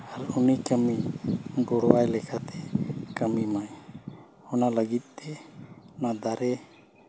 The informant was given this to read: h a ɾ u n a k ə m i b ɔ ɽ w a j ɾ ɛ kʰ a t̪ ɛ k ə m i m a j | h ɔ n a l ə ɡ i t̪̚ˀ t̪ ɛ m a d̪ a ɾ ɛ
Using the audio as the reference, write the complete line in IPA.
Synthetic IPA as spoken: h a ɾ u n i k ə m i ɡ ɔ ɽ w a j l ɛ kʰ a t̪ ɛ k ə m i m a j | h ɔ n a l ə ɡ i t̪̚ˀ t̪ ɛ n a d̪ a ɾ ɛ